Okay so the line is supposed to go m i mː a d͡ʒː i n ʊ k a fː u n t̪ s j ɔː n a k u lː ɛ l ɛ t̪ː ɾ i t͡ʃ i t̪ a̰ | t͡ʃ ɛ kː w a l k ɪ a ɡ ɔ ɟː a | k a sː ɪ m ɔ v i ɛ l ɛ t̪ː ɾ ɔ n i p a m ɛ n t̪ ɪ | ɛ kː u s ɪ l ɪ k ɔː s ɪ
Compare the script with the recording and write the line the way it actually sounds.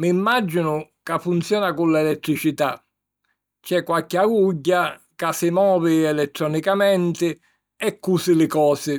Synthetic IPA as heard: m i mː a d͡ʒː i n ʊ k a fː u n t̪ s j ɔː n a k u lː ɛ l ɛ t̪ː ɾ i t͡ʃ i t̪ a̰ | t͡ʃ ɛ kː w a l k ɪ a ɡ u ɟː a | k a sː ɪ m ɔː v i ɛ l ɛ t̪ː ɾ ɔ n i k a m ɛ n t̪ ɪ | ɛ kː u s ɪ l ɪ k ɔː s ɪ